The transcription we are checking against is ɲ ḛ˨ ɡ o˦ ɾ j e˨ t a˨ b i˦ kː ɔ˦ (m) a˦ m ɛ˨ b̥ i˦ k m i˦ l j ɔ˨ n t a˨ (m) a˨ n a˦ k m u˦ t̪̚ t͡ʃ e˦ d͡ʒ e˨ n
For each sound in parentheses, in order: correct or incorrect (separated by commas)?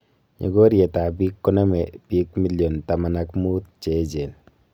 incorrect, correct